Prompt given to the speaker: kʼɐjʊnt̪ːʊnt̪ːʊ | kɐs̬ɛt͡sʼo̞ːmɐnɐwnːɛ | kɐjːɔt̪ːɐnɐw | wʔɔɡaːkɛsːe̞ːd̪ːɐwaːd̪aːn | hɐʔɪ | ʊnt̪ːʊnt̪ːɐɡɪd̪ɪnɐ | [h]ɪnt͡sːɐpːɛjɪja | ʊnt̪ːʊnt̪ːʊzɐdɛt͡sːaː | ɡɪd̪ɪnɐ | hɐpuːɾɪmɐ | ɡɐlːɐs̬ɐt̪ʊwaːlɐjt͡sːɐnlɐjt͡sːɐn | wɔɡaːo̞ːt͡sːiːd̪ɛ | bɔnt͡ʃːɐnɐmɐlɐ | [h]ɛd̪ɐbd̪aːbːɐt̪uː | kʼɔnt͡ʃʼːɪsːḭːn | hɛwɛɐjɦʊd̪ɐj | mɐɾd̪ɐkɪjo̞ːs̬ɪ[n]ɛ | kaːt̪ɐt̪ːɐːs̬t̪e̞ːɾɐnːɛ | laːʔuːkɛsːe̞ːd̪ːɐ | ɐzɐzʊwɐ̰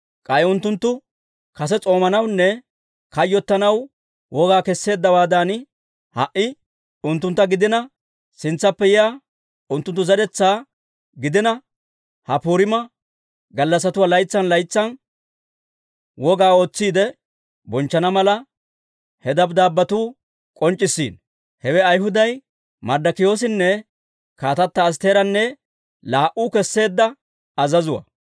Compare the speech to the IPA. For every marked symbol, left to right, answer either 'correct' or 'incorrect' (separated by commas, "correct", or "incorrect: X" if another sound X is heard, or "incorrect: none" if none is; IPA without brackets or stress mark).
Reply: incorrect: s, correct, incorrect: nː